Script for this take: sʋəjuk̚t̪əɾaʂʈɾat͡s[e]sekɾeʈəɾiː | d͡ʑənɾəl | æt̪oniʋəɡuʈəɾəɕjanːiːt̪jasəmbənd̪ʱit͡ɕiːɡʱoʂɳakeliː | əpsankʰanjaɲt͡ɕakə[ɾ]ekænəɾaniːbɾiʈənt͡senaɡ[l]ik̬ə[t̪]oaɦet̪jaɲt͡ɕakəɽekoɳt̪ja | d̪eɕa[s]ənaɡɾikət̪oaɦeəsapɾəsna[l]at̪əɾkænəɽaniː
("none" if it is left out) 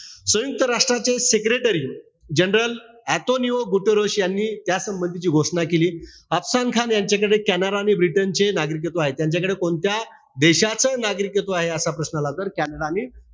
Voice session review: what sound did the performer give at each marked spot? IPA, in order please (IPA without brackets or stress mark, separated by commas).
e, ɽ, ɾ, t̪, t͡s, l